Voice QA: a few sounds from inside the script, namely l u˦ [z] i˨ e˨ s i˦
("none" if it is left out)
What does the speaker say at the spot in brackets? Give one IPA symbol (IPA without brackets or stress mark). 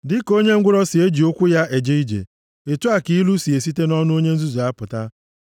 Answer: s